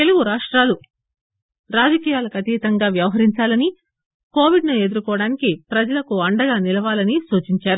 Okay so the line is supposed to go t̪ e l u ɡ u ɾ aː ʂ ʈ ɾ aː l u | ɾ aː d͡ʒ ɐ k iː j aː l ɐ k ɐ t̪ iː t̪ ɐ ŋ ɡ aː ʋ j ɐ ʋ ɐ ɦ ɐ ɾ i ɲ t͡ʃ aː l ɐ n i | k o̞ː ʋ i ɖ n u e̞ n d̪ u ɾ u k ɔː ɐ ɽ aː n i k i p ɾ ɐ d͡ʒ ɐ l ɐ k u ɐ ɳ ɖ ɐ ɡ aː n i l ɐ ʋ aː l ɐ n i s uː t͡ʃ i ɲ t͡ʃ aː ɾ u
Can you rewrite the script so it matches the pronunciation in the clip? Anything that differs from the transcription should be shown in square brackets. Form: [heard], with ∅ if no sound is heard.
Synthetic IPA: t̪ e l u ɡ u ɾ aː ʂ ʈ ɾ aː l u | ɾ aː d͡ʒ ɐ k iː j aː l ɐ k ɐ t̪ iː t̪ ɐ ŋ ɡ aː ʋ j ɐ ʋ ɐ ɦ ɐ ɾ i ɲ t͡ʃ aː l ɐ n i | k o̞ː ʋ i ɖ n u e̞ [∅] d̪ u ɾ u k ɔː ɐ ɽ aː n i k i p ɾ ɐ d͡ʒ ɐ l ɐ k u ɐ ɳ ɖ ɐ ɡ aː n i l ɐ ʋ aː l ɐ n i s uː t͡ʃ i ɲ t͡ʃ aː ɾ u